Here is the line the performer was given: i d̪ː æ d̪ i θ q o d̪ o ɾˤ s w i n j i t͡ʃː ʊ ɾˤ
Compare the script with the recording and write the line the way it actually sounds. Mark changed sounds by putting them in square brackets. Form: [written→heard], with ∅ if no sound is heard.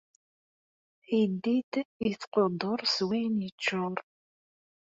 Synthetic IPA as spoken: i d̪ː [æ→i] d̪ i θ q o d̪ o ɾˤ s w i n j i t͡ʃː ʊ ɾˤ